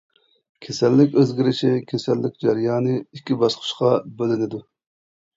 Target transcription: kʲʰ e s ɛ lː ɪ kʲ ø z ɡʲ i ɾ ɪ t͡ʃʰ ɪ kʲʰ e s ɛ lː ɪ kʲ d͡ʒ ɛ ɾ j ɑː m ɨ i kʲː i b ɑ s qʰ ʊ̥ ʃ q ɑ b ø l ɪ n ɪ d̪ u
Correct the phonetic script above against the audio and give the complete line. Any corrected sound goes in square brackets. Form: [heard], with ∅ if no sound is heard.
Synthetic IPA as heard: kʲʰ e s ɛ lː ɪ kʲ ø z ɡʲ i ɾ ɪ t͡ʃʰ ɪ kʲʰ e s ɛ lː ɪ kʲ d͡ʒ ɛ ɾ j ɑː [n] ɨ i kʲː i b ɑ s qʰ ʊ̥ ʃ q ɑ b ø l ɪ n ɪ d̪ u